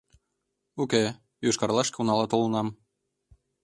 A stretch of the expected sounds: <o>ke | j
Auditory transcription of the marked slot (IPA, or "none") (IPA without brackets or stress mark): u